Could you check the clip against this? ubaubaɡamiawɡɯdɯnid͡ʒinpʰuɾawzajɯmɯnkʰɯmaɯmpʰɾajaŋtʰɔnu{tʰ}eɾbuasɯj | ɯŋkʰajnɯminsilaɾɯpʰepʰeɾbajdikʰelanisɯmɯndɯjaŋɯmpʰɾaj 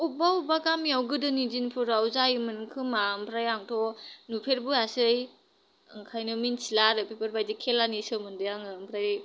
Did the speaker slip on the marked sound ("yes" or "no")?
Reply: yes